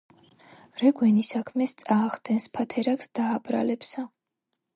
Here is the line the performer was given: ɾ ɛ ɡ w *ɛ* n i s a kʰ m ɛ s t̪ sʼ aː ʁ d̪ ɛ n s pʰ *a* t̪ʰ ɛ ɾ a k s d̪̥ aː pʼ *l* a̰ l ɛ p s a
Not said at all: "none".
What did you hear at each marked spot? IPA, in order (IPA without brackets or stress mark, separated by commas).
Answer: ɛ, a, ɾ